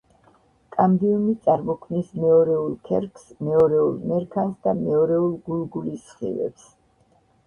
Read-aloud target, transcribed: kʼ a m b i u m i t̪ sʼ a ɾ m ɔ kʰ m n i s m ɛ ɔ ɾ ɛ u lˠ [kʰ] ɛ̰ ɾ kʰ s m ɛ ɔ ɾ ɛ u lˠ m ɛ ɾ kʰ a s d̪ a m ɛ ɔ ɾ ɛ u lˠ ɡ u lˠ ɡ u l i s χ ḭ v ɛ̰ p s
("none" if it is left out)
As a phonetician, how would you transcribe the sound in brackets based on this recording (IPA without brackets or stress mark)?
kʰ